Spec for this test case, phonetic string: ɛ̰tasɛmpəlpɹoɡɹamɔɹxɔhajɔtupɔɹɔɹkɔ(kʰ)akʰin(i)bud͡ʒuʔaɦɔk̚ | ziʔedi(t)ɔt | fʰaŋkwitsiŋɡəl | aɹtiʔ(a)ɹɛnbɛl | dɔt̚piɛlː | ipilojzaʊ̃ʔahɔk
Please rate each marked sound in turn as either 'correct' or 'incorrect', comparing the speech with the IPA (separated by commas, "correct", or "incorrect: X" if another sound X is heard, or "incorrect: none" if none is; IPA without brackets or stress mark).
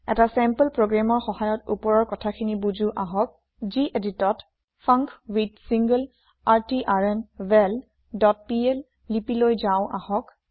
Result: incorrect: tʰ, correct, correct, correct